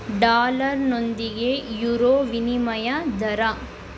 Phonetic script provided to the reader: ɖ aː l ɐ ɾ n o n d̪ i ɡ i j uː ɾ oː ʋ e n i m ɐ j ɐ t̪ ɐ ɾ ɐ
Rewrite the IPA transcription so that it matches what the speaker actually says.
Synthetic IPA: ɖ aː l ɐ ɾ n o n d̪ i ɡ e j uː ɾ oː ʋ i n i m ɐ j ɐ d̪ ɐ ɾ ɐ